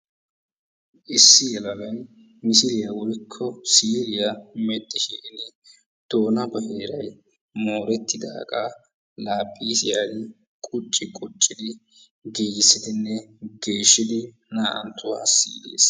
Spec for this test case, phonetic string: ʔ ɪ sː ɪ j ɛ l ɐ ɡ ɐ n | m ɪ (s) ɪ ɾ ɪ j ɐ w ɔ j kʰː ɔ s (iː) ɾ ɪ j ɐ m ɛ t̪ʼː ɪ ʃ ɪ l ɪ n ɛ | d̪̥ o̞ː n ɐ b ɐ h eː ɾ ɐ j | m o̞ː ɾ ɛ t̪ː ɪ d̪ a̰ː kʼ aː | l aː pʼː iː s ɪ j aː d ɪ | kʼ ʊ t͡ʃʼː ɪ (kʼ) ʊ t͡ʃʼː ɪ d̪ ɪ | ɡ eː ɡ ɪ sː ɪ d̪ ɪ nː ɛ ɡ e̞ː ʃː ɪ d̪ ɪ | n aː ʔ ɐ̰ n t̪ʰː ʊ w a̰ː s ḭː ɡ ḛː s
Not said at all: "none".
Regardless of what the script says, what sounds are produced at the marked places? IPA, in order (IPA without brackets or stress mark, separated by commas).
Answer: s, iː, kʼ